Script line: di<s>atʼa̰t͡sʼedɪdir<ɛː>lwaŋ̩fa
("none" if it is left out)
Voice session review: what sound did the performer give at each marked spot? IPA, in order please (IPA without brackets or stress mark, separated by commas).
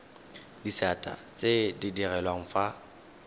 s, ɛ